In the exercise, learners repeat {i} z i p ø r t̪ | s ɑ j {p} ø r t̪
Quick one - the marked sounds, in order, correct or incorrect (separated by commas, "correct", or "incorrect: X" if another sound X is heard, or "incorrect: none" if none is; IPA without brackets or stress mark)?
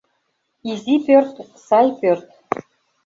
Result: correct, correct